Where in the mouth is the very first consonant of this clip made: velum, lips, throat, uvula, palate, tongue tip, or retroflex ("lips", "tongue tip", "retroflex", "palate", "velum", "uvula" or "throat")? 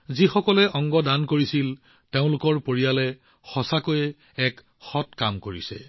tongue tip